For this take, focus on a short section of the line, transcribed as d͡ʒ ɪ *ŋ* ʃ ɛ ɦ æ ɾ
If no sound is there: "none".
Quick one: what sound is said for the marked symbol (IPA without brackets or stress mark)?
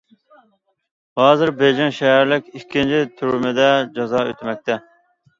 ŋ